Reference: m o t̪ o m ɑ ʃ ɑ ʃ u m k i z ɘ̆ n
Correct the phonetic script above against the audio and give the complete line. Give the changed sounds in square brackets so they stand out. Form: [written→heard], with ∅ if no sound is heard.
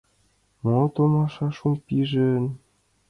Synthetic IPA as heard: m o t̪ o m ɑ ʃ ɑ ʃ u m [k→p] i [z→ʒ] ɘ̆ n